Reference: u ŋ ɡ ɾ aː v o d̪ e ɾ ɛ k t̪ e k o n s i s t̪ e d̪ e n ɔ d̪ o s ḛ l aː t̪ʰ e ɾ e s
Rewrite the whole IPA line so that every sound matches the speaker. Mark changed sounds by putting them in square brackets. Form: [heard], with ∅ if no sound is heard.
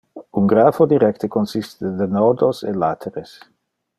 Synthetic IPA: u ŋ ɡ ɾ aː [f] o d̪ [i] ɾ ɛ k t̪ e k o n s i s t̪ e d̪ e n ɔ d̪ o s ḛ l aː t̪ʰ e ɾ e s